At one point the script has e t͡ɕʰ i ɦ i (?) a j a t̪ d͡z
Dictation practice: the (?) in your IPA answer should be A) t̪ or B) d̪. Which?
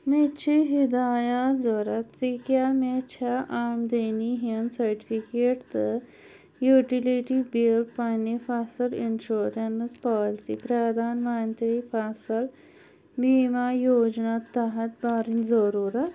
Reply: B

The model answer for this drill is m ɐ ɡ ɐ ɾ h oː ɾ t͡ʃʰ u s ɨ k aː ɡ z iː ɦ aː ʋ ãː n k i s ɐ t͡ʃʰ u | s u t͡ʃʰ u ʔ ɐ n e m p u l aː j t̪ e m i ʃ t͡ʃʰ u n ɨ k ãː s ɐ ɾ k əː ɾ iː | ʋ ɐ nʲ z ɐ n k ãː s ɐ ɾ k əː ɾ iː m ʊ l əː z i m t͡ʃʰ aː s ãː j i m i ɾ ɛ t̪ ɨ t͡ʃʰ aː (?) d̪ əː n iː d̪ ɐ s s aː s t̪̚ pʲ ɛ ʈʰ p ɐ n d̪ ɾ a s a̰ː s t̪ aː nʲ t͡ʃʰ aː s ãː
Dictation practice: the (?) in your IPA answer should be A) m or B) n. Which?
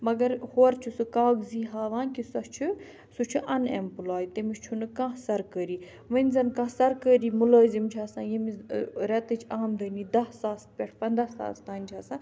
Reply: A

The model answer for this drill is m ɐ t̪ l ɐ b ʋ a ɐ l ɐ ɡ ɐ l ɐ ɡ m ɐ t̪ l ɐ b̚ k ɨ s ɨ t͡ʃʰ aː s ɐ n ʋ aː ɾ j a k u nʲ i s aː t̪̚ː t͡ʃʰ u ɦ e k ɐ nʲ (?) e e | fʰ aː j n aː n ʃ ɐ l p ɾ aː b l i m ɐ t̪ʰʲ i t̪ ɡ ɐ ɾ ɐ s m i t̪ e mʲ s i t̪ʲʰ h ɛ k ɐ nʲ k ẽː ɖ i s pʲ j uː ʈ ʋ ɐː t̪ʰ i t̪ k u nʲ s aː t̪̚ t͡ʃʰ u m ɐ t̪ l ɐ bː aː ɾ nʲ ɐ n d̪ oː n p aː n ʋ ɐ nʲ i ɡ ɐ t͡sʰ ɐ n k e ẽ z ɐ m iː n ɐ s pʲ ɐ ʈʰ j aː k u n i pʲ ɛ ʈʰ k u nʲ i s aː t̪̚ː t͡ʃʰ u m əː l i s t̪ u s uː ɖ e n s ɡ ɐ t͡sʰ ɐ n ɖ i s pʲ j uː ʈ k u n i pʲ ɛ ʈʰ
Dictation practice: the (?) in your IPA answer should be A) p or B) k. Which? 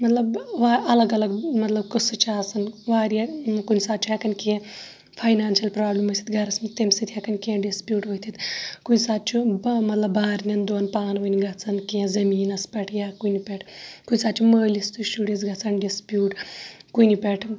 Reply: B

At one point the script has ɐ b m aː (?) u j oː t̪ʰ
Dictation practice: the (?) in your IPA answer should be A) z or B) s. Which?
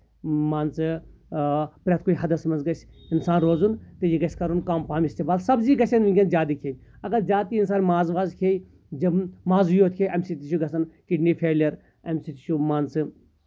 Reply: A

